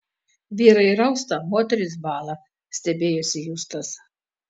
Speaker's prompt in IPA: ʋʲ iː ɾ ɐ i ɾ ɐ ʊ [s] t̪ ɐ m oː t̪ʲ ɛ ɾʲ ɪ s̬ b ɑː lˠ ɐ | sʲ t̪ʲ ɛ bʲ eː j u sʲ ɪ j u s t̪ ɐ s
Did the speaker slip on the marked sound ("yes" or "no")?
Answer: no